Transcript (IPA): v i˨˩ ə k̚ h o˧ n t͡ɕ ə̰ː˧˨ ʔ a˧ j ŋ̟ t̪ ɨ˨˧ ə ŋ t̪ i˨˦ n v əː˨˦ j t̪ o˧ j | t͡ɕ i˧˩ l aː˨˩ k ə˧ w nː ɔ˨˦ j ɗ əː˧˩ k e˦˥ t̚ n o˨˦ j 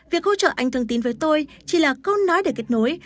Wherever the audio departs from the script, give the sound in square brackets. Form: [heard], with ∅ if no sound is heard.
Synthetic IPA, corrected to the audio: v i˨˩ ə k̚ h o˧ [∅] t͡ɕ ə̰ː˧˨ ʔ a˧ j ŋ̟ t̪ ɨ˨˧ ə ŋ t̪ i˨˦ n v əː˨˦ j t̪ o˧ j | t͡ɕ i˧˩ l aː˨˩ k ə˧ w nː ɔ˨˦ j ɗ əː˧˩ k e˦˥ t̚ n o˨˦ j

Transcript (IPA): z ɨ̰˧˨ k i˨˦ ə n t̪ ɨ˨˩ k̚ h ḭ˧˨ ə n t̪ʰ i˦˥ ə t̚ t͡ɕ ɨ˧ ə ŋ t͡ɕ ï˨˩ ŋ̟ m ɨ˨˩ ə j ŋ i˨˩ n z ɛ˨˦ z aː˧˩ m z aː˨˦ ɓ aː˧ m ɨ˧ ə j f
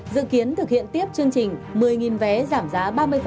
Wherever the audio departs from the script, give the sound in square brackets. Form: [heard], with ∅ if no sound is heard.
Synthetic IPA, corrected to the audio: z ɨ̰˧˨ k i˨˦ ə n t̪ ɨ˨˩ k̚ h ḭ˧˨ ə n [t̪] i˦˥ ə [p̚] t͡ɕ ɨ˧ ə ŋ t͡ɕ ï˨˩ ŋ̟ m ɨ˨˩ ə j ŋ i˨˩ n [v] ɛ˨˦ z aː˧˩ m z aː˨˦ ɓ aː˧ m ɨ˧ ə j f

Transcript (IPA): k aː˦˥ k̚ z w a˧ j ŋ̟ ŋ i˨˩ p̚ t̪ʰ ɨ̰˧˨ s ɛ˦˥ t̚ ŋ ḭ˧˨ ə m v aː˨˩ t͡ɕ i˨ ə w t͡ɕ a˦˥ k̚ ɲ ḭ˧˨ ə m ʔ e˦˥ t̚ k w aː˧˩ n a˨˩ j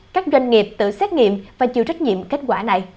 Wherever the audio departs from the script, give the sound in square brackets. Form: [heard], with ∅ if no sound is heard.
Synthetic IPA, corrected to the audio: k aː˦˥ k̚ z w a˧ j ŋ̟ ŋ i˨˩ p̚ [t̪] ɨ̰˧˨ s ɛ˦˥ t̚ ŋ ḭ˧˨ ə m v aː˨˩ t͡ɕ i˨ ə w t͡ɕ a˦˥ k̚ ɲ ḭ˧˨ ə m [k] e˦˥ t̚ k w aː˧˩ n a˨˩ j

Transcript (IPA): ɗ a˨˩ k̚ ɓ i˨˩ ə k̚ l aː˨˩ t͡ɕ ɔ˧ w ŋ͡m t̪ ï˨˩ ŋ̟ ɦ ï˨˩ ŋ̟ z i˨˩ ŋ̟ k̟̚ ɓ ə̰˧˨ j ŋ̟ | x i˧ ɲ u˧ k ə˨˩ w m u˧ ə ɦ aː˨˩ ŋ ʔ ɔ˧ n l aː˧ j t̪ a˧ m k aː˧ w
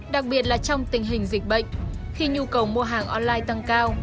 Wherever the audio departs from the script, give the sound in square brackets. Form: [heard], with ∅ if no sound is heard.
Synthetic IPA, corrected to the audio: ɗ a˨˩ k̚ ɓ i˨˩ ə [t̚] l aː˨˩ t͡ɕ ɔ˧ w ŋ͡m t̪ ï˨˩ ŋ̟ ɦ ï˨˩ ŋ̟ z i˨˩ [∅] k̟̚ ɓ ə̰˧˨ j ŋ̟ | x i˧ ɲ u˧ k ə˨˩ w m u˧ ə ɦ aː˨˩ ŋ ʔ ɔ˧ n l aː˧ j t̪ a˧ [ŋ] k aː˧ w

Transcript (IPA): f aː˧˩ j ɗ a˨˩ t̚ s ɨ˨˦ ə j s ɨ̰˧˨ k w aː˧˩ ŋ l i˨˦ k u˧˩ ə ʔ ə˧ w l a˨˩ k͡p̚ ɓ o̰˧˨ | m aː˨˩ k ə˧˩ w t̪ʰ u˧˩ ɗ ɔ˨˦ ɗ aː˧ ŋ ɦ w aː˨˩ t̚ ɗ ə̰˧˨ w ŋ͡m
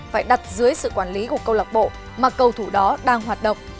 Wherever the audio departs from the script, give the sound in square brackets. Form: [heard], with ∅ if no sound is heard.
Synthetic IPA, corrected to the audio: f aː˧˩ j ɗ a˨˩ t̚ [z] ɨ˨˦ ə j s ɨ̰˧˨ k w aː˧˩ [n] l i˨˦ k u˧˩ ə [k] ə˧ w l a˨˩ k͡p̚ ɓ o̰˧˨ | m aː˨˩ k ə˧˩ w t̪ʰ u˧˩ ɗ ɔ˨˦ ɗ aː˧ ŋ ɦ w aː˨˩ t̚ ɗ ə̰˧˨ w ŋ͡m

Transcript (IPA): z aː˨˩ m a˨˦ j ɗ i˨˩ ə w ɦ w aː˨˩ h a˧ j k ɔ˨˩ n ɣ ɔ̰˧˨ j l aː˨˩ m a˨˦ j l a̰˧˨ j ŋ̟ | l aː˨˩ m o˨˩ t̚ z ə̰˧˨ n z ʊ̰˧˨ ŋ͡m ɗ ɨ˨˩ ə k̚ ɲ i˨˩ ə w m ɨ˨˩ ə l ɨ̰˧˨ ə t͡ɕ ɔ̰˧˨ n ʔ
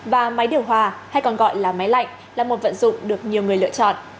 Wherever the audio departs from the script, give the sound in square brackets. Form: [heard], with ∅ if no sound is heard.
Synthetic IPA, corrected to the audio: [v] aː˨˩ m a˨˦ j ɗ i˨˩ ə w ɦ w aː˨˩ h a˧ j k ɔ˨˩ n ɣ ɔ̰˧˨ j l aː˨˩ m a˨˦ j l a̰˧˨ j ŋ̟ | l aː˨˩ m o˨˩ t̚ [v] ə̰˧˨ n z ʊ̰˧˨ ŋ͡m ɗ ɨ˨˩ ə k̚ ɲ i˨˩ ə w [ŋ] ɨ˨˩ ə l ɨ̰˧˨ ə t͡ɕ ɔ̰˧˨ n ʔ

